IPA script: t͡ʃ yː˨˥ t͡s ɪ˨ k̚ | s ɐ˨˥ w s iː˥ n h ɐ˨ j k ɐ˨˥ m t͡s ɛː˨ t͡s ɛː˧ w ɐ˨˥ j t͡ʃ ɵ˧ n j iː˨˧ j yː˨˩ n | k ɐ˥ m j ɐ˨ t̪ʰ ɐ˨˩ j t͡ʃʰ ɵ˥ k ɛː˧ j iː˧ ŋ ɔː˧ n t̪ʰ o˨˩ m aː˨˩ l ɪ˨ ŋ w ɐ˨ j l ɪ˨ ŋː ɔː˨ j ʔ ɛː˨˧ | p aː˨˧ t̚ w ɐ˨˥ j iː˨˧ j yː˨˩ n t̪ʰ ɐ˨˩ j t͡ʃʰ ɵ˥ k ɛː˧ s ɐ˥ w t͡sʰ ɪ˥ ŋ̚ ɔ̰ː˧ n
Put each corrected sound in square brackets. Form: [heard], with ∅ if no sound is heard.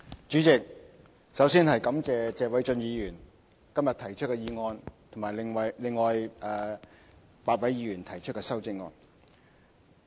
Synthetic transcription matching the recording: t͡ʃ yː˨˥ t͡s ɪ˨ k̚ | s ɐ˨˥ w s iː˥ n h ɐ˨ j k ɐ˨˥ m t͡s ɛː˨ t͡s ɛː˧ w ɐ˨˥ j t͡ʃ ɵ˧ n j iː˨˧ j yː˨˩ n | k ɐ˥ m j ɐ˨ t̪ʰ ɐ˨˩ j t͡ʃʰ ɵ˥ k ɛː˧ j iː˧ ŋ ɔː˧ n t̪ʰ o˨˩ m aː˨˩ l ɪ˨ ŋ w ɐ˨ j l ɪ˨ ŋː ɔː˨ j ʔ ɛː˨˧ | p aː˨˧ t̚ w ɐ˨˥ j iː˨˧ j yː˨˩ n t̪ʰ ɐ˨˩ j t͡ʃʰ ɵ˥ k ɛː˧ s ɐ˥ w [t͡s] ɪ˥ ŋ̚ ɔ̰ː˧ n